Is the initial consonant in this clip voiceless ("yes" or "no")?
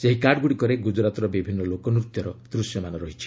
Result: yes